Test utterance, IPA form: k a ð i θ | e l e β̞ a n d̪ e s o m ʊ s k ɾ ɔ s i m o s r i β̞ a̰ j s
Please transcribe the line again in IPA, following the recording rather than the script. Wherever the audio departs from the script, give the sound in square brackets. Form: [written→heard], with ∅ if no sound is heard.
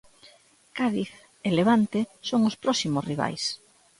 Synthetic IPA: k a ð i θ | e l e β̞ a n [d̪→t̪] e s o [m→ŋ] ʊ s [k→p] ɾ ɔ s i m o s r i β̞ a̰ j s